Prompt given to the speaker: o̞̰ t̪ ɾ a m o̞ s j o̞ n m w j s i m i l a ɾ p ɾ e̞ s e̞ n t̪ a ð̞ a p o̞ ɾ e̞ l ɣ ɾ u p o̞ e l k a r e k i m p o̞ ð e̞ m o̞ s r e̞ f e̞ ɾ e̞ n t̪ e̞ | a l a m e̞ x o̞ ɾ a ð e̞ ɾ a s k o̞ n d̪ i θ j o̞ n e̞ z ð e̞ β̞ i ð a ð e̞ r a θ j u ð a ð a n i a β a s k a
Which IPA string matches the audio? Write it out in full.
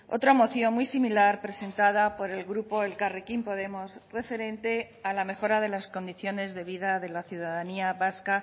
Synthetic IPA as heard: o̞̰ t̪ ɾ a m o̞ θ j o̞ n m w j s i m i l a ɾ p ɾ e̞ s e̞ n t̪ a ð̞ a p o̞ ɾ e̞ l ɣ ɾ u p o̞ e l k a r e k i m p o̞ ð e̞ m o̞ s r e̞ f e̞ ɾ e̞ n t̪ e̞ | a l a m e̞ x o̞ ɾ a ð e̞ l a s k o̞ n d̪ i θ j o̞ n e̞ z ð e̞ β̞ i ð a ð e̞ l a θ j u ð a ð a n i a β a s k a